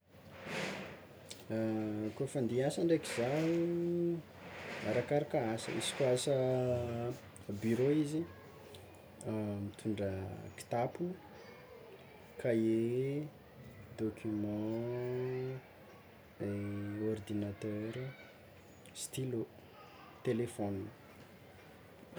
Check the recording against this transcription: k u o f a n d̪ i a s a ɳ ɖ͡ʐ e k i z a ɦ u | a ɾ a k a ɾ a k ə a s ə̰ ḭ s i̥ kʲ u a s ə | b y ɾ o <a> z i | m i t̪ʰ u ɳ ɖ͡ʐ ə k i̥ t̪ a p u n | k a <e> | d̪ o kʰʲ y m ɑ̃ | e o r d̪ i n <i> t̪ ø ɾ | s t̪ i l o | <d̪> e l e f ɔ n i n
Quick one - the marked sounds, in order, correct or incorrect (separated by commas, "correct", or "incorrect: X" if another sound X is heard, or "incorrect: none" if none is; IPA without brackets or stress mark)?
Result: incorrect: i, correct, incorrect: a, incorrect: t̪